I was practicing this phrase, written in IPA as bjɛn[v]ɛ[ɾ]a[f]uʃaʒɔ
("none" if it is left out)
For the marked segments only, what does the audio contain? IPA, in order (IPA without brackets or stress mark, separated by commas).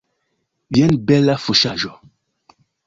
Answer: b, l, f